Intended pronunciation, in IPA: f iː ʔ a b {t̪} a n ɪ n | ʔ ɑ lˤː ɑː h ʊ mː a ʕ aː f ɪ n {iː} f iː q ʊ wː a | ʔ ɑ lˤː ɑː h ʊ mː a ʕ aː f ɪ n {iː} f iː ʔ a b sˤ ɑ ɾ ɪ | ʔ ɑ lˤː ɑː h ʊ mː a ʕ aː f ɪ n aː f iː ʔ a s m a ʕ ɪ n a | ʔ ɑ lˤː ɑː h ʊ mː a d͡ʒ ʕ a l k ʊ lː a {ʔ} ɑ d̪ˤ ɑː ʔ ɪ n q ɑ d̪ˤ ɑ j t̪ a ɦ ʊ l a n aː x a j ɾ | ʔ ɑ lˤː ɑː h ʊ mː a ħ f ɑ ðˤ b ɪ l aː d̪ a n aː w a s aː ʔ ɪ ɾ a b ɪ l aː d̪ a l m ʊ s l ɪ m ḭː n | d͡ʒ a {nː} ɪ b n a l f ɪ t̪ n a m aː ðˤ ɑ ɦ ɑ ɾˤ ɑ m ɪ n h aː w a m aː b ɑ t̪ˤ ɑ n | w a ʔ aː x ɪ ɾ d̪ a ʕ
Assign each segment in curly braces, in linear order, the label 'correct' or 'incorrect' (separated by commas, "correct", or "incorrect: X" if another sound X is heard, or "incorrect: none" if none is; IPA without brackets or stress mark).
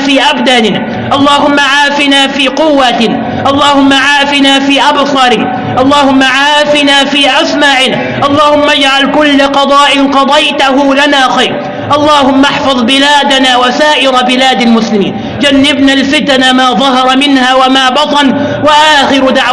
incorrect: d̪, incorrect: aː, incorrect: aː, incorrect: q, correct